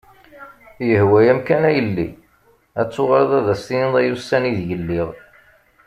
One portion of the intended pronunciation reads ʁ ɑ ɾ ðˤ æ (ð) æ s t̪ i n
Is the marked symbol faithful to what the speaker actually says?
yes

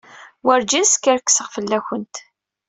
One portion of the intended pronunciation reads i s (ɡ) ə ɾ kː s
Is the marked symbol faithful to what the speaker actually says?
no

